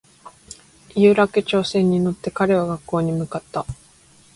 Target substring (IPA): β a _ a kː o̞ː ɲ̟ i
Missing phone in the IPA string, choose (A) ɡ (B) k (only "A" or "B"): A